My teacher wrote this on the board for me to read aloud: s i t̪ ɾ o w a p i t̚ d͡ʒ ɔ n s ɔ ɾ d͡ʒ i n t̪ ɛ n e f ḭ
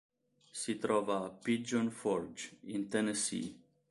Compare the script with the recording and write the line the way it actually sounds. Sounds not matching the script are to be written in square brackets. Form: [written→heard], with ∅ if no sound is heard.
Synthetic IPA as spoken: s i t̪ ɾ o [w→v] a p i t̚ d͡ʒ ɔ n [s→f] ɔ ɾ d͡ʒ i n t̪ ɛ n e [f→s] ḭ